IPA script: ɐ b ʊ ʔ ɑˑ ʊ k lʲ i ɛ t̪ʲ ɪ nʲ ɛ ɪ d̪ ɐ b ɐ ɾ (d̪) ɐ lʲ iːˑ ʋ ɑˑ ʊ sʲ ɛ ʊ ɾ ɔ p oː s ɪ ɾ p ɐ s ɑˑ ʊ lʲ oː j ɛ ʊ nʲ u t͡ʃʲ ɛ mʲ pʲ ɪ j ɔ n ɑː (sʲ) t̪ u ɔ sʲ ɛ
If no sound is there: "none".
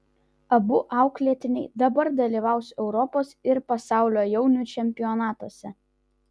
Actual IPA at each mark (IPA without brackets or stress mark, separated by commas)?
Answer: d̪, none